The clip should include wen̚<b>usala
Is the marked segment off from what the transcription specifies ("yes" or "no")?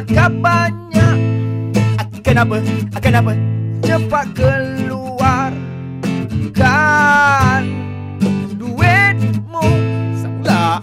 yes